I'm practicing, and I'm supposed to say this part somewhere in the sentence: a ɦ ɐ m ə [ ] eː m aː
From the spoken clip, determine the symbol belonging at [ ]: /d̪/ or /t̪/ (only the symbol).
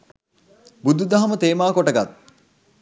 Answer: t̪